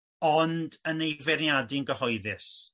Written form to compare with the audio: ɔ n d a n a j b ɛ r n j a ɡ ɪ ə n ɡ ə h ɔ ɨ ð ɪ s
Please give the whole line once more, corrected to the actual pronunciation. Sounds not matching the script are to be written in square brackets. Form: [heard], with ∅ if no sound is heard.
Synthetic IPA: ɔ n d [ə] n [e] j [v] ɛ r n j a [d] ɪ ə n ɡ ə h ɔ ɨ ð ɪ s